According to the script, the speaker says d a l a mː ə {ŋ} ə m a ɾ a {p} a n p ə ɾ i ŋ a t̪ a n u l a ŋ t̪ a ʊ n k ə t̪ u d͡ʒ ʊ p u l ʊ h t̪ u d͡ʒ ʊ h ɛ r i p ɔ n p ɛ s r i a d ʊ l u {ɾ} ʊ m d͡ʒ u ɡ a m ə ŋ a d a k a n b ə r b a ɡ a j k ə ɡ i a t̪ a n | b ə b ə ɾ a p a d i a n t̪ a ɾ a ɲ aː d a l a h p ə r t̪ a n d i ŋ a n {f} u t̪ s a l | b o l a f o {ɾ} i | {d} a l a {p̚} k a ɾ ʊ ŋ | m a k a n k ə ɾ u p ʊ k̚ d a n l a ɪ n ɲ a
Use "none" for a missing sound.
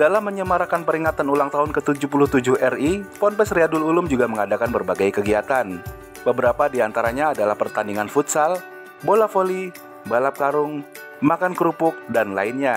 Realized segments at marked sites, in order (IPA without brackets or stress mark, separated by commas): ɲ, k, l, f, l, b, p̚